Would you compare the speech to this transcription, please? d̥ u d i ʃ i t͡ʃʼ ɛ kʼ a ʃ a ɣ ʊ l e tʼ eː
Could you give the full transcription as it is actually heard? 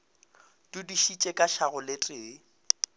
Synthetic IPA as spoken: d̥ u d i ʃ i t͡ʃʼ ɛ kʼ a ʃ a ɣ ʊ l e tʼ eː

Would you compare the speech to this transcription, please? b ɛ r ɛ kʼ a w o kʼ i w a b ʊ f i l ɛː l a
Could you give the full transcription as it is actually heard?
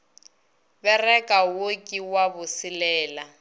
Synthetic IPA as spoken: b ɛ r ɛ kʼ a w o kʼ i w a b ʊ s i l ɛː l a

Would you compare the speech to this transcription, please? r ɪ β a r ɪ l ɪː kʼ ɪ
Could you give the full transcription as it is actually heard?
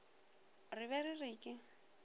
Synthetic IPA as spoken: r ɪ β ɛ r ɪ r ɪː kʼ ɪ

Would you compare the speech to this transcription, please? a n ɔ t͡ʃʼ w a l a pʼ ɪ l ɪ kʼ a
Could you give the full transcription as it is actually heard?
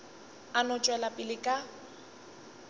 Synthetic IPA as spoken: a n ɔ t͡ʃʼ w ɛ l a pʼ ɪ l ɪ kʼ a

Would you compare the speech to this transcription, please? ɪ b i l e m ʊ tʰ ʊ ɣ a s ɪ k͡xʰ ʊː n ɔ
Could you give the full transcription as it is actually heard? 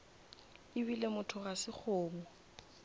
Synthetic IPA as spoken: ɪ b i l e m ʊ tʰ ʊ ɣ a s ɪ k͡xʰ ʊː m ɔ

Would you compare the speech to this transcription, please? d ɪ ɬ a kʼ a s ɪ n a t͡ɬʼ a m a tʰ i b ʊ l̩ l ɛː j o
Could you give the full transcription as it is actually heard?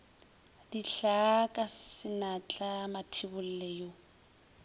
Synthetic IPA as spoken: d i ɬ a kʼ a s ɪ n a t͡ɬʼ a m a tʰ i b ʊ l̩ l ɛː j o

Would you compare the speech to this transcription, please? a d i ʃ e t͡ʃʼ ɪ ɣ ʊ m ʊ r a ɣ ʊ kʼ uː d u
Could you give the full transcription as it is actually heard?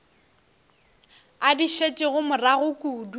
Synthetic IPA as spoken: a d i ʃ e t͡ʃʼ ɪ ɣ ʊ m ʊ r a ɣ ʊ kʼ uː d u

